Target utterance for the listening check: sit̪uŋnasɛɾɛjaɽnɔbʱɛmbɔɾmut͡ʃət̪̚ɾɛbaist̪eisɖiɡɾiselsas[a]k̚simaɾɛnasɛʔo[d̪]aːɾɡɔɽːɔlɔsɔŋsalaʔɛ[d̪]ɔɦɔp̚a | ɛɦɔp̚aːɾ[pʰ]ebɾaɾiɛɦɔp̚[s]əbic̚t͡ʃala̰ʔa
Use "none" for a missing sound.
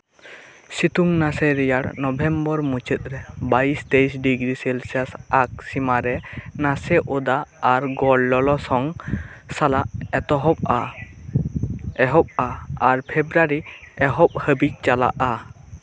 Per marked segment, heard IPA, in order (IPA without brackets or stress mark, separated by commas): a, d̪, t̪, pʰ, h